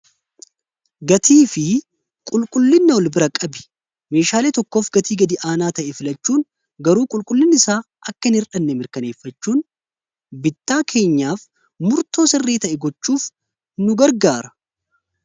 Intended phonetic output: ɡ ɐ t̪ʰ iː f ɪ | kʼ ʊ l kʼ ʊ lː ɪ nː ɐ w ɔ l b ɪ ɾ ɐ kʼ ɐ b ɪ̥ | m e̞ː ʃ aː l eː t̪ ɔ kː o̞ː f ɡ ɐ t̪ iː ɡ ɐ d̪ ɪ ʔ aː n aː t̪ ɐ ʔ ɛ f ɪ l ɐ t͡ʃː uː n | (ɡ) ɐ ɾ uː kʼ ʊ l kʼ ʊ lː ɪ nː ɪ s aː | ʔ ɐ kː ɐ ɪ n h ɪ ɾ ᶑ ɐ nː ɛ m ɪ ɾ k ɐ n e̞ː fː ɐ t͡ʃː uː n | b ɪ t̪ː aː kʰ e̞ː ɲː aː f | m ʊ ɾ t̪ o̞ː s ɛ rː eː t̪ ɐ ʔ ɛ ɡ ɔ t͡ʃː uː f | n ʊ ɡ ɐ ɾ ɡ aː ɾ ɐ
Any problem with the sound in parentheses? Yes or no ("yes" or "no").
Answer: no